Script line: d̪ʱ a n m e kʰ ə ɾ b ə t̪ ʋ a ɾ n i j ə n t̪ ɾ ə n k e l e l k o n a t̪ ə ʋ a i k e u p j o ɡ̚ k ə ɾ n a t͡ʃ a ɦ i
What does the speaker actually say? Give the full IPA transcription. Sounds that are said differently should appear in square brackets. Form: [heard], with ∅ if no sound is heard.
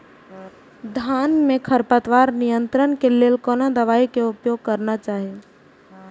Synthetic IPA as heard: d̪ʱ a n m e kʰ ə ɾ [p] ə t̪ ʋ a ɾ n i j ə n t̪ ɾ ə n k e l e l k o n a [d̪] ə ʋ a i k e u p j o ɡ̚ k ə ɾ n a t͡ʃ a ɦ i